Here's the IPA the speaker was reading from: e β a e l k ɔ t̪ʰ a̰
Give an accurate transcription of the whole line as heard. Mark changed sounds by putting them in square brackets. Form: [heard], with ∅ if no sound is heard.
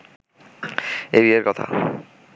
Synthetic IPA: e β [i] e [ɾ] k ɔ t̪ʰ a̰